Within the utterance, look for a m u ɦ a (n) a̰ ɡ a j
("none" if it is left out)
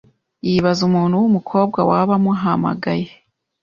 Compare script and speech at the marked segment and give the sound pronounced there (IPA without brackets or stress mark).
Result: m